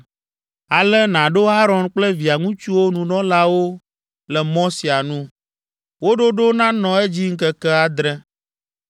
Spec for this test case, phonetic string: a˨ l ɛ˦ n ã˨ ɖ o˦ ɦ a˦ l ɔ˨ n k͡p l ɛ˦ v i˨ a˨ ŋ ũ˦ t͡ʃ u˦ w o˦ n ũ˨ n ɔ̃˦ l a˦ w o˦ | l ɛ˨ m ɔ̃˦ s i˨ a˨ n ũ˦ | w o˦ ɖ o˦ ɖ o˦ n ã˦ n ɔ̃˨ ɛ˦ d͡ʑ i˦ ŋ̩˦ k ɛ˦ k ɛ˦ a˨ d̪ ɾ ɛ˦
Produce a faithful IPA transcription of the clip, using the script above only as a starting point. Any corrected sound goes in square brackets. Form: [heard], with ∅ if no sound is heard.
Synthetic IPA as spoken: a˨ l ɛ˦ n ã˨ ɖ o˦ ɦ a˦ [ɾ] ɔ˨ n k͡p l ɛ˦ v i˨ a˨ ŋ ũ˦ t͡ʃ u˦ w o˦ n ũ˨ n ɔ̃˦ l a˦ w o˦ | l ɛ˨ m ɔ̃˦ s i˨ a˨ n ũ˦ | w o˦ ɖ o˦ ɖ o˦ n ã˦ n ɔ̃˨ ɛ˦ d͡ʑ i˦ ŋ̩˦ k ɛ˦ k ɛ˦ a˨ d̪ ɾ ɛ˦

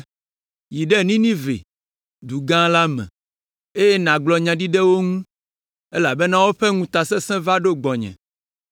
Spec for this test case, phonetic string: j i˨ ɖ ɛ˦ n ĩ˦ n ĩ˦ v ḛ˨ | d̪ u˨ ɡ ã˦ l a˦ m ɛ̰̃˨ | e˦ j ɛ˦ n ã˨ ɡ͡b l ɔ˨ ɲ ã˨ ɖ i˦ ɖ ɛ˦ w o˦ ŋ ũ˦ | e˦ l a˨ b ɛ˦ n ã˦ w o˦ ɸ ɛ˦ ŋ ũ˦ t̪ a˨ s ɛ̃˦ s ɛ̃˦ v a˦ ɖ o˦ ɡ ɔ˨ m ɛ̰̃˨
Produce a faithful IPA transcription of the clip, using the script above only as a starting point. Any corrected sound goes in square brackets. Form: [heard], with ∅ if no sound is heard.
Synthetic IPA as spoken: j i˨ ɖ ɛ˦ n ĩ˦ n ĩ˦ v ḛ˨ | d̪ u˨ ɡ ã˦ l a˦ m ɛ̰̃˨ | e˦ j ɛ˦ n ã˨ ɡ͡b l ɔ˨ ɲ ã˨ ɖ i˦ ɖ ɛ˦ w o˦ ŋ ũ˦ | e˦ l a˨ b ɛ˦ n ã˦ w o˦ ɸ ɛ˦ ŋ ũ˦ t̪ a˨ s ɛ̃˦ s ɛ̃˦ v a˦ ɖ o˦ [ɡ͡b] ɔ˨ [ɲ] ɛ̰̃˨

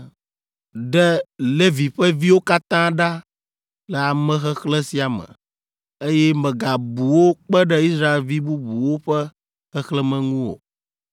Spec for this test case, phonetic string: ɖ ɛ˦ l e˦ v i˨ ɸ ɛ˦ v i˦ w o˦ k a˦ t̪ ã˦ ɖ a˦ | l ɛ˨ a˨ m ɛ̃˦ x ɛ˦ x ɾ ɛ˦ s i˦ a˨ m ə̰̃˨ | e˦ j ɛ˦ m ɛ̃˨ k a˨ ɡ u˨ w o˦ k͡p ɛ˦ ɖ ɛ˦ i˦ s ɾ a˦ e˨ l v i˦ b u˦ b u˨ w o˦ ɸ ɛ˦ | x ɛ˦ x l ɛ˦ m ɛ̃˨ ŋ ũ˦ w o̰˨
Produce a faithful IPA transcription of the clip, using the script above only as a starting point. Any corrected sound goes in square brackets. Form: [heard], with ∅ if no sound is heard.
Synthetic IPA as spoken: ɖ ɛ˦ l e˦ v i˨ ɸ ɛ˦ v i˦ w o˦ k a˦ t̪ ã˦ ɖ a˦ | l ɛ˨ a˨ m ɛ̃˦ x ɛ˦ x [l] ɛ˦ s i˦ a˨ m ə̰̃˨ | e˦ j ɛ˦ m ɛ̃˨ [ɡ] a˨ [b] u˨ w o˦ k͡p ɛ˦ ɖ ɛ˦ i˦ s ɾ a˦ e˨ l v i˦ b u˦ b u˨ w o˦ ɸ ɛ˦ | x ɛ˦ x l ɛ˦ m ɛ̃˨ ŋ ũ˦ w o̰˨

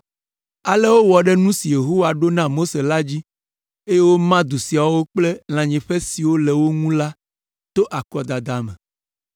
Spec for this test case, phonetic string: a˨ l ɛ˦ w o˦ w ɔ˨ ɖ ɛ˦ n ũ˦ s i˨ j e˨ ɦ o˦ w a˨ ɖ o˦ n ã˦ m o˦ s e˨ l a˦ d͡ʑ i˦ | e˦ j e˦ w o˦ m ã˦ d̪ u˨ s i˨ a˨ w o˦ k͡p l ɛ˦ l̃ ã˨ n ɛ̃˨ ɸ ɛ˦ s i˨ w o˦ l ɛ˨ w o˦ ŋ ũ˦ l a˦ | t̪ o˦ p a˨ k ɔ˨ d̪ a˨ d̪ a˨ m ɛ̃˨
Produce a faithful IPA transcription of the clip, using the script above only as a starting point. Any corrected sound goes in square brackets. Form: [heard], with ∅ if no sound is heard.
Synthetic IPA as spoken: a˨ l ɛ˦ w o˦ w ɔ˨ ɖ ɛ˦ n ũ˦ s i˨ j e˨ ɦ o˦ w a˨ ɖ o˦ n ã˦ m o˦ s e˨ l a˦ d͡ʑ i˦ | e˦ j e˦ w o˦ m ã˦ d̪ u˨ s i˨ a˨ w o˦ k͡p l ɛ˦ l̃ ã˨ [ɲ] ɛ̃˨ ɸ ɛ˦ s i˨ w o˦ l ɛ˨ w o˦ ŋ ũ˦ l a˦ | t̪ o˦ [ʔ] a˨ k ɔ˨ d̪ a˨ d̪ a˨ m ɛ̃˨

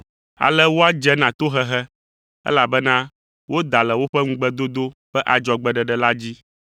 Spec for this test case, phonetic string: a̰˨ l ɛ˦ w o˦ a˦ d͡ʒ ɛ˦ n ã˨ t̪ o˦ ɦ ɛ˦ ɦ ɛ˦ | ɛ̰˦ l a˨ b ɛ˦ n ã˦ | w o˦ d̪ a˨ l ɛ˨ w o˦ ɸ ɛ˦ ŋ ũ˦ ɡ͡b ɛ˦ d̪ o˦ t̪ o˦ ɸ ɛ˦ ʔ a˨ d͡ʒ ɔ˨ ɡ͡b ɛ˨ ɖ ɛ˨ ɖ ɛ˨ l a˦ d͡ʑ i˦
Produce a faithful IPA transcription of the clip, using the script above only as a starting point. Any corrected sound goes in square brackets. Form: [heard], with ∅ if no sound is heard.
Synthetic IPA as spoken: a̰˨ l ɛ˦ w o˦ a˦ d͡ʒ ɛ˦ n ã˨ t̪ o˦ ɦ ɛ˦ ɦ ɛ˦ | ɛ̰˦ l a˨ b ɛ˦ n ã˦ | w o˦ d̪ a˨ l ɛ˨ w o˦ ɸ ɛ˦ ŋ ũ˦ ɡ͡b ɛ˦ d̪ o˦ [d̪] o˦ ɸ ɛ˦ ʔ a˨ d͡ʒ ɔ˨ ɡ͡b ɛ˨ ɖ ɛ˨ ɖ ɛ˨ l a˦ d͡ʑ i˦

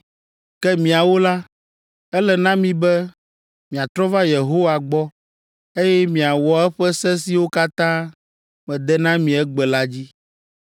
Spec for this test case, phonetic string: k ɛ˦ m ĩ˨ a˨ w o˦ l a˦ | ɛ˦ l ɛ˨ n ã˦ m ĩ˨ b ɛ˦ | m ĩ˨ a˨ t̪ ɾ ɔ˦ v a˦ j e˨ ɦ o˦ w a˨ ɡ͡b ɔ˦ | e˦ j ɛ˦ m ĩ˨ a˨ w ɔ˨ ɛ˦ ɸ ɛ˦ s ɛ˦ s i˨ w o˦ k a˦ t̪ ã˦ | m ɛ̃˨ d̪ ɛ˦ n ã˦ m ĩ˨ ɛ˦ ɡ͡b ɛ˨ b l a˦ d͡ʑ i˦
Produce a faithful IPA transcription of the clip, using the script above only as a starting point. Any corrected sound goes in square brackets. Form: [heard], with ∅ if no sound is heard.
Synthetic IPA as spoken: k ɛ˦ m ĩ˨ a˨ w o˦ l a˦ | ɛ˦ l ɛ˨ n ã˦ m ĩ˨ b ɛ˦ | m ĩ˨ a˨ t̪ ɾ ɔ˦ v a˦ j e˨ ɦ o˦ w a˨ ɡ͡b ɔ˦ | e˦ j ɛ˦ m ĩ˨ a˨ w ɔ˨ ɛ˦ ɸ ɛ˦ s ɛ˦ s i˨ w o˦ k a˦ t̪ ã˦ | m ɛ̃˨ d̪ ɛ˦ n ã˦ m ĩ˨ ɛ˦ ɡ͡b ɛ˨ [∅] l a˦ d͡ʑ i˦

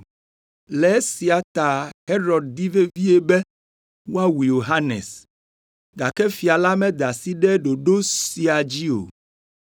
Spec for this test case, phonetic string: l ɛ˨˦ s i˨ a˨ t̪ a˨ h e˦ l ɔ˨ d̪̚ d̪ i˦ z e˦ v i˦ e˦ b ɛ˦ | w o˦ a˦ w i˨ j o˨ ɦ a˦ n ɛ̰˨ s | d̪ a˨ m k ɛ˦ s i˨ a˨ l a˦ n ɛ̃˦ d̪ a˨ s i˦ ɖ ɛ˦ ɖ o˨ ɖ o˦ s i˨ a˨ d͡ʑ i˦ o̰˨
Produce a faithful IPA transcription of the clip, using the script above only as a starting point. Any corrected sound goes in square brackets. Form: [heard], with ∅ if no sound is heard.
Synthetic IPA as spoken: l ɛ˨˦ s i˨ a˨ t̪ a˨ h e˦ [ɾ] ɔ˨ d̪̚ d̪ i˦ [v] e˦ v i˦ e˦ b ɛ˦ | w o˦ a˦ w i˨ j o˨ ɦ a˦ n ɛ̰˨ s | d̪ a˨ [∅] k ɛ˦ [f] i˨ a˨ l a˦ [m] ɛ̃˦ d̪ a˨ s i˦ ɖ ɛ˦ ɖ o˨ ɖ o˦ s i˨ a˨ d͡ʑ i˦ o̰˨

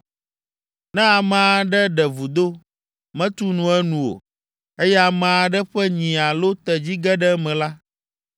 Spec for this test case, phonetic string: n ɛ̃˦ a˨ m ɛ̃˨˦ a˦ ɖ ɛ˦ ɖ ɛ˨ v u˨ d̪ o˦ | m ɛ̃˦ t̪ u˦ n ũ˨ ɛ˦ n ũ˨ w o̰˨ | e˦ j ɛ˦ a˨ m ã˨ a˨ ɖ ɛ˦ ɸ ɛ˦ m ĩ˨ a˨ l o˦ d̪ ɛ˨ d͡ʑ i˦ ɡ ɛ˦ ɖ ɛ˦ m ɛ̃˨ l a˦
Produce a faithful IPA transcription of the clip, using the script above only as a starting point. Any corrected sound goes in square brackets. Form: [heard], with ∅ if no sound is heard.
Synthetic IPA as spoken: n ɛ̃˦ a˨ m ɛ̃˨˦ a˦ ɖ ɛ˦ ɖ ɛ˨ v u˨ d̪ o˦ | m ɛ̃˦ t̪ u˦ n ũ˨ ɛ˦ n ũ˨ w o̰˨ | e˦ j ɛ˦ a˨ m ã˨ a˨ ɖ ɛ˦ ɸ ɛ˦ [ɲ] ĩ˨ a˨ l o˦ [t̪] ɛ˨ d͡ʑ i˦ ɡ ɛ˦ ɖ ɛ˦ m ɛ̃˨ l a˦

